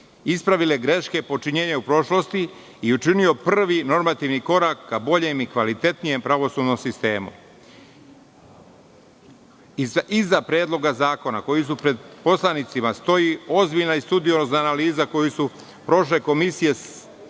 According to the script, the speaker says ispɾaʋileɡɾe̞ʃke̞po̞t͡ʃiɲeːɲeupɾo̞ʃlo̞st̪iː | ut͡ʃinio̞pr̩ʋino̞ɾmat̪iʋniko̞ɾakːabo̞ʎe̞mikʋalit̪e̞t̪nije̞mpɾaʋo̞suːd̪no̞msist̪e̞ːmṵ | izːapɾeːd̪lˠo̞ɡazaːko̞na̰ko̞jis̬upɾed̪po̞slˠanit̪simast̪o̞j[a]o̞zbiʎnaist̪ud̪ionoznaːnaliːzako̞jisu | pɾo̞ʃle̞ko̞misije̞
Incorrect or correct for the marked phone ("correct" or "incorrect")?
incorrect